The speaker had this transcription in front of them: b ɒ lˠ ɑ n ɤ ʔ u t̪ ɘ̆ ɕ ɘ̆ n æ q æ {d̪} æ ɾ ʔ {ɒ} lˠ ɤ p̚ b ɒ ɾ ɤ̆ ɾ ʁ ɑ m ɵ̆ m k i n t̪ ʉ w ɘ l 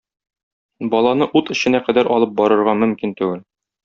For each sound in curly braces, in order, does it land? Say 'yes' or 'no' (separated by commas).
yes, yes